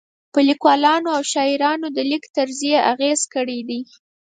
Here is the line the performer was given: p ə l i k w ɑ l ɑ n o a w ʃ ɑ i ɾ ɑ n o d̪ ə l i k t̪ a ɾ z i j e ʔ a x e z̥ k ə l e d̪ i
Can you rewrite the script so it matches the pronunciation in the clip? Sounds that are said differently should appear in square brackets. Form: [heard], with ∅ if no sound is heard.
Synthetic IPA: p ə l i k w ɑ l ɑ n o a w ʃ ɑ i ɾ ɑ n o d̪ ə l i k t̪ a ɾ z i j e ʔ a [ɣ] e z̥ k ə [ɽ] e d̪ i